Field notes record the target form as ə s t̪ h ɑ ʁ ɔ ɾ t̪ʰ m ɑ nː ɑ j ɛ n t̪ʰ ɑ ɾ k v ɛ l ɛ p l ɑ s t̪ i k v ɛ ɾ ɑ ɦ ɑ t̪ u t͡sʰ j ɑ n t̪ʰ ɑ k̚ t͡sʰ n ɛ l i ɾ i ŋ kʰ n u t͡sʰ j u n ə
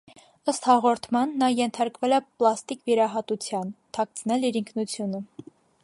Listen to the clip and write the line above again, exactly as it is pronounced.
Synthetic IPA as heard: ə s t̪ h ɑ ʁ ɔ ɾ t̪ʰ m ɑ nː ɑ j ɛ n t̪ʰ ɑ ɾ k v ɛ l ɛ p l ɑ s t̪ i k v i ɾ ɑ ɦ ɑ t̪ u t͡sʰ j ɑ n t̪ʰ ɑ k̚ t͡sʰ n ɛ l i ɾ i ŋ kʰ n u t͡sʰ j u n ə